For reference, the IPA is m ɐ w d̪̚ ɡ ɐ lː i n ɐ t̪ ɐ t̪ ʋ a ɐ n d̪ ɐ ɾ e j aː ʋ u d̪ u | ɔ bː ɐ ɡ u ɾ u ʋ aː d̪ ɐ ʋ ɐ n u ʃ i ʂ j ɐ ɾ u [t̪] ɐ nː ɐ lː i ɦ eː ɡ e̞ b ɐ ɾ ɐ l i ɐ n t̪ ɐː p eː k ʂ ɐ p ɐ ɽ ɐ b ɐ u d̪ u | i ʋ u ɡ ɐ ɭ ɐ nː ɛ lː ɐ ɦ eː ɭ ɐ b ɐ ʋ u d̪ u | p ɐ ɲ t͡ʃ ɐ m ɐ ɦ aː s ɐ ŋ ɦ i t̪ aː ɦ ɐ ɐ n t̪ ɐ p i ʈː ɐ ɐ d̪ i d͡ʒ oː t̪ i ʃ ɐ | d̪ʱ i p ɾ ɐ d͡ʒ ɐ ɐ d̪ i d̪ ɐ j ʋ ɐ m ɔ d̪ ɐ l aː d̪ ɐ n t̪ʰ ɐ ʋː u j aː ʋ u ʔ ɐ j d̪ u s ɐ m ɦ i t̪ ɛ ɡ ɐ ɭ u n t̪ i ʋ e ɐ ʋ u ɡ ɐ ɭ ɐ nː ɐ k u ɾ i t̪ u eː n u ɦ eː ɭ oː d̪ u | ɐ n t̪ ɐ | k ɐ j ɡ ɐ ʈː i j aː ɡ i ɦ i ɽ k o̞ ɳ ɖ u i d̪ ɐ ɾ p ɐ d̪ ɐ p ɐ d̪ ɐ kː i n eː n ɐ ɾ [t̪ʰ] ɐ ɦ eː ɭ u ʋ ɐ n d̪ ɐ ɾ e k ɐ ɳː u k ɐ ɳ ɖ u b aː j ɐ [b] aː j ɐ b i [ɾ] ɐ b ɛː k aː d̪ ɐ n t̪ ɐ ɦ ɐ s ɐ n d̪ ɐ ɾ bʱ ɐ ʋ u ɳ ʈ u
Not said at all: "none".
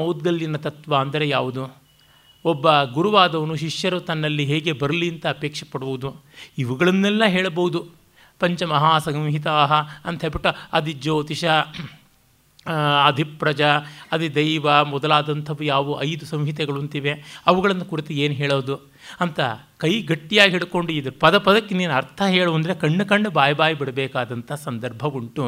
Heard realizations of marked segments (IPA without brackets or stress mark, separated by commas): t̪, t̪ʰ, b, ɽ